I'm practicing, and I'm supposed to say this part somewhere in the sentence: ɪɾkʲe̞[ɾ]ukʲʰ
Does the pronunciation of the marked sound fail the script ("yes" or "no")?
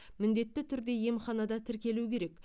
yes